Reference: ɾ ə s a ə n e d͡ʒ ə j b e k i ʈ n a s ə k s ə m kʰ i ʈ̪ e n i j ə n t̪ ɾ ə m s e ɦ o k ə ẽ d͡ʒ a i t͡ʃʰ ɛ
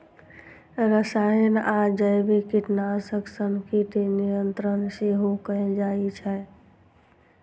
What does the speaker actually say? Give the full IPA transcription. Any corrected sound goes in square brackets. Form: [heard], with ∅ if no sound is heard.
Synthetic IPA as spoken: ɾ ə s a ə n [a] d͡ʒ ə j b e k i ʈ n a s ə k s ə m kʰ i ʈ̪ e n i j ə n t̪ ɾ ə [n] s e ɦ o k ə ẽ d͡ʒ a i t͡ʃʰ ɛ